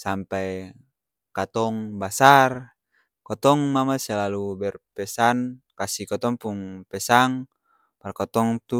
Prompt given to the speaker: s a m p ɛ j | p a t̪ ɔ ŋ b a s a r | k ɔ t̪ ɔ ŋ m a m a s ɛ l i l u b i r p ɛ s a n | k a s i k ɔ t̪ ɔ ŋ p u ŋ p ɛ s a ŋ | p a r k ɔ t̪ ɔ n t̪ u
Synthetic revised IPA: s a m p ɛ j | k a t̪ ɔ ŋ b a s a r | k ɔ t̪ ɔ ŋ m a m a s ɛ l a l u b ɛ r p ɛ s a n | k a s i k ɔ t̪ ɔ ŋ p u ŋ p ɛ s a ŋ | p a r k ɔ t̪ ɔ ŋ t̪ u